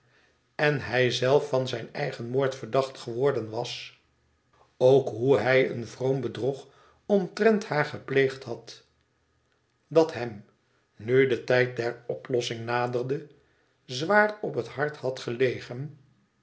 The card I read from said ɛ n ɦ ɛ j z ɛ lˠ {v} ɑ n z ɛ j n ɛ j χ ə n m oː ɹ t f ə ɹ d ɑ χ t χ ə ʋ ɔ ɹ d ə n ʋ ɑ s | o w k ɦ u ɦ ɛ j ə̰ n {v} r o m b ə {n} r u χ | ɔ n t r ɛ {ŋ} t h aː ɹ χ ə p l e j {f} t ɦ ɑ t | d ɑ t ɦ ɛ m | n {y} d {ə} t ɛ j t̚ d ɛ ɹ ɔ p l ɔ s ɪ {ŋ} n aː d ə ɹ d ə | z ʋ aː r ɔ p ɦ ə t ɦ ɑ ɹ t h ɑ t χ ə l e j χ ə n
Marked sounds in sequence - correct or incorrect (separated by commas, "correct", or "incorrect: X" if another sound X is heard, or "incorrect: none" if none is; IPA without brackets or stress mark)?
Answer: incorrect: f, correct, incorrect: d, incorrect: n, incorrect: χ, correct, correct, correct